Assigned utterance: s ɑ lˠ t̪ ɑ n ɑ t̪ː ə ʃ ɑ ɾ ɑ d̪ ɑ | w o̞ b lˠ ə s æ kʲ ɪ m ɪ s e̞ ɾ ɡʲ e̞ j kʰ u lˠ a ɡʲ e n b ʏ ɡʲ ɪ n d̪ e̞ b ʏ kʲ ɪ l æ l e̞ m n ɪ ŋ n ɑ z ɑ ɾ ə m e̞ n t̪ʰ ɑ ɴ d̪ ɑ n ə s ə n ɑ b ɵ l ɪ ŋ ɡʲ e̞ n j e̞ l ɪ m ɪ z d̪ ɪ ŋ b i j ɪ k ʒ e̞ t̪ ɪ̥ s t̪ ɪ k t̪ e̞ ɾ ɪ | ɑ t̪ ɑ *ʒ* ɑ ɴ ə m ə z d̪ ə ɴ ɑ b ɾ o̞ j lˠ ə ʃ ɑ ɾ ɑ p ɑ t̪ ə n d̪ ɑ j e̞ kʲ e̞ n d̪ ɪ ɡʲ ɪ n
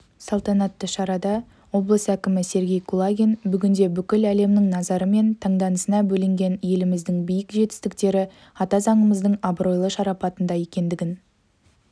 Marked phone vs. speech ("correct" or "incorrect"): incorrect